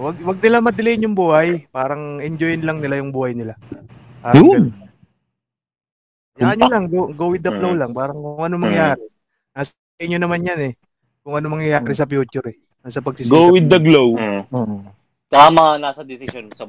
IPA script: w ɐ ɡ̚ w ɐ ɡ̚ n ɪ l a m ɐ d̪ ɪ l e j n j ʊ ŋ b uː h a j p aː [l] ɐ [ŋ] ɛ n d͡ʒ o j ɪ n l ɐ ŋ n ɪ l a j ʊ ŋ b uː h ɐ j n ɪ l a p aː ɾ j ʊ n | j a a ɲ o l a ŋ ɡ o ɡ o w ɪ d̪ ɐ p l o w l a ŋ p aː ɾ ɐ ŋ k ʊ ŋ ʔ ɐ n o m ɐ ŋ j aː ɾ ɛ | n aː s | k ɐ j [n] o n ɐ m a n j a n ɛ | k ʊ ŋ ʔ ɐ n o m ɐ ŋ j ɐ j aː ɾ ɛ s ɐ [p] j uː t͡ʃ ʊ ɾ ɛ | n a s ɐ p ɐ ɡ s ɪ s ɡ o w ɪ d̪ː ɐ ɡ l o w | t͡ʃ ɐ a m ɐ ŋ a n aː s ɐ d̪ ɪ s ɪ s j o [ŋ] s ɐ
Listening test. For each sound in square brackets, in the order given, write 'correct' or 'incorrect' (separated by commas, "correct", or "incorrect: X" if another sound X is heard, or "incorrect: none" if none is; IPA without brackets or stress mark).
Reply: incorrect: ɾ, correct, incorrect: ɲ, correct, incorrect: n